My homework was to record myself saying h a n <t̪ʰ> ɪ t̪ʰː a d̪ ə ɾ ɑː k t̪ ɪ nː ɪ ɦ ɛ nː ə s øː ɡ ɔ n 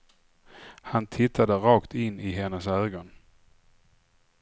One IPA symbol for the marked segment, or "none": t̪ʰ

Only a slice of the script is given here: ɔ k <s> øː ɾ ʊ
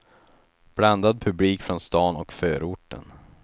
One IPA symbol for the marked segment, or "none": f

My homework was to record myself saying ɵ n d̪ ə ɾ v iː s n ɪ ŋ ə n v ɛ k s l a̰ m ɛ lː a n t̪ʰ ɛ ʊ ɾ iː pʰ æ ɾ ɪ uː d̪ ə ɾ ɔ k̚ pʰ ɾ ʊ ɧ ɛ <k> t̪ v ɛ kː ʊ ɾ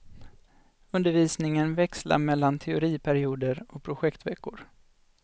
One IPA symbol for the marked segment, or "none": k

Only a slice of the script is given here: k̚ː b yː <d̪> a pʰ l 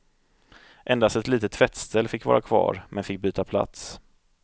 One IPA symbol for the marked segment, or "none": t̪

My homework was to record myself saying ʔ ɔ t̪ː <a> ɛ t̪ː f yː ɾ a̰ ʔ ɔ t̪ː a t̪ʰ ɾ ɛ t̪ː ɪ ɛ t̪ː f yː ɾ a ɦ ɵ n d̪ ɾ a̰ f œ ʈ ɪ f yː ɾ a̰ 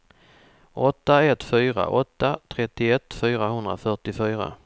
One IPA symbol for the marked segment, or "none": a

